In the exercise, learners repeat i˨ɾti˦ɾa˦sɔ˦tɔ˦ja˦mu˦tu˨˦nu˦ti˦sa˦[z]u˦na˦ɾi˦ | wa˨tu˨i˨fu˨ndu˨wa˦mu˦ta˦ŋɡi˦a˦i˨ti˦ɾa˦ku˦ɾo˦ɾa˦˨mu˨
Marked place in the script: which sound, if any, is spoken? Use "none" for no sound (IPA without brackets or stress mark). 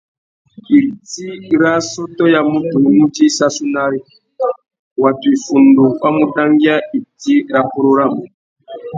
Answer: s